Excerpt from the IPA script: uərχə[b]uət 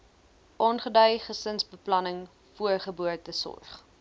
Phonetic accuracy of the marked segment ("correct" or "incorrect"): correct